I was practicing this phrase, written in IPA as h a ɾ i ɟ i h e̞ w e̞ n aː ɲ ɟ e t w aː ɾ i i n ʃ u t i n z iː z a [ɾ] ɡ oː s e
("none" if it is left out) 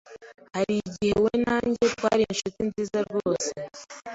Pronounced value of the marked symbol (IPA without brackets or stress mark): ɾ